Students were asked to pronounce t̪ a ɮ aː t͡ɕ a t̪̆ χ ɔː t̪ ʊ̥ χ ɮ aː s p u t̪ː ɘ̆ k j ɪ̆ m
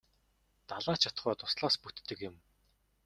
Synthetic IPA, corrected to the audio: t̪ a ɮ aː t͡ɕʰ a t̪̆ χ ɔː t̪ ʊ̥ s ɮ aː s p u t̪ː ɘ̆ k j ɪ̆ m